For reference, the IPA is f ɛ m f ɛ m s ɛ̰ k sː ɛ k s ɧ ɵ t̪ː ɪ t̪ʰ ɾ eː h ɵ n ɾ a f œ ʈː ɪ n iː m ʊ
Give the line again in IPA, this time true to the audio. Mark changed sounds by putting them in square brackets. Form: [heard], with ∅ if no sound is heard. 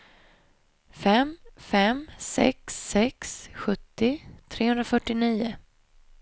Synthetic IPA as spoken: f ɛ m f ɛ m s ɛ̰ k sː ɛ k s ɧ ɵ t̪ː ɪ t̪ʰ ɾ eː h ɵ n ɾ a f œ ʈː ɪ n iː [∅] ʊ